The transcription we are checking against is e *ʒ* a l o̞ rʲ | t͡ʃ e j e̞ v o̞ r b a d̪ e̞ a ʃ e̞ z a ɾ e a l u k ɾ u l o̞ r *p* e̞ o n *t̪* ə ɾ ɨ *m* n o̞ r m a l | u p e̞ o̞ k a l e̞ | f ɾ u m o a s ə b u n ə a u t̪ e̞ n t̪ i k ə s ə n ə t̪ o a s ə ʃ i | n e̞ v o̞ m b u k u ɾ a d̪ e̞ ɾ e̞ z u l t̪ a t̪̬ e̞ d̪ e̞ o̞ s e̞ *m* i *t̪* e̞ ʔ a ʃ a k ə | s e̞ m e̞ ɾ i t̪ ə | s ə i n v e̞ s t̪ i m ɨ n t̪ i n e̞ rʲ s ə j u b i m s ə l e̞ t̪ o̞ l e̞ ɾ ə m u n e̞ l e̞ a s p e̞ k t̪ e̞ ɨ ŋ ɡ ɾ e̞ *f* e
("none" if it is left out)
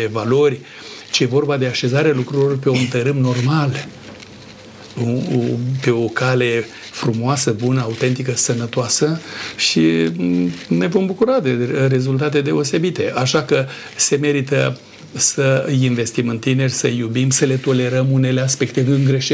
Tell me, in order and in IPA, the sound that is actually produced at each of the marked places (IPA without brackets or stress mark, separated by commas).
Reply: v, p, t̪, m, b, t̪, ʃ